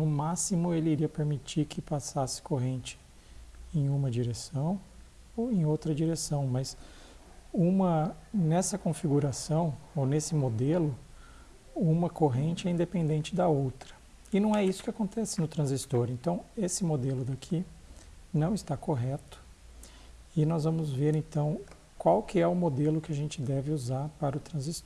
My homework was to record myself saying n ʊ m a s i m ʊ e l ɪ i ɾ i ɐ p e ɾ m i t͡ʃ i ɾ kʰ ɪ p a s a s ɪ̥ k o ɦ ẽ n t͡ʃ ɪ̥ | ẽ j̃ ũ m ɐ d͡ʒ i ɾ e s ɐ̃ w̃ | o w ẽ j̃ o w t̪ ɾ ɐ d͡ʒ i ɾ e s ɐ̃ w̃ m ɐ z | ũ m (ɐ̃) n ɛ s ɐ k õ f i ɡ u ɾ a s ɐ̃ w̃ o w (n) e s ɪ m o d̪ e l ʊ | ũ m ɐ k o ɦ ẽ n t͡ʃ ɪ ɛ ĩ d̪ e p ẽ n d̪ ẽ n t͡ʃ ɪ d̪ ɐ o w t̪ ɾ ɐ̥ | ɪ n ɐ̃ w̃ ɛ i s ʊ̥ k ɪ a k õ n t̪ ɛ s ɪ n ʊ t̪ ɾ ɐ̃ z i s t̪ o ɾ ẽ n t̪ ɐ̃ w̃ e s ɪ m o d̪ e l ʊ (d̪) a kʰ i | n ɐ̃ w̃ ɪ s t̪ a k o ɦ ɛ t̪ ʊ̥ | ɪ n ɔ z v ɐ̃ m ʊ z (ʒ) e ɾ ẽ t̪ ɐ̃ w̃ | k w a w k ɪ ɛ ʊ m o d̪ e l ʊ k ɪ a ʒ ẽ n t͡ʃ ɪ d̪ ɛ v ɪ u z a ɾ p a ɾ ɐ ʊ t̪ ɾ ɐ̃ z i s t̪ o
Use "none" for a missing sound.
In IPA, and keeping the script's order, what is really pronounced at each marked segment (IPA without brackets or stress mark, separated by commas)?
ɐ, n, d̪, v